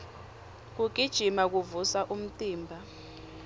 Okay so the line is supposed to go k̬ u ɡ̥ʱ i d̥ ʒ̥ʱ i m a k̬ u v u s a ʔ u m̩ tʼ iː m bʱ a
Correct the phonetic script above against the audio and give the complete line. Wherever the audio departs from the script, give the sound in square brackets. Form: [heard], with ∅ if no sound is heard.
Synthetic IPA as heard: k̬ u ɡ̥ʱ i d̥ ʒ̥ʱ i m a k̬ u v u s a ʔ u m̩ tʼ iː m bʱ a